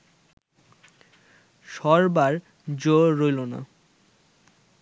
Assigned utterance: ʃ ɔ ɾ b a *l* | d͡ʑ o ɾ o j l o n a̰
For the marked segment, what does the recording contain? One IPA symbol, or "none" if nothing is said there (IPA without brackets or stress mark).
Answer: ɾ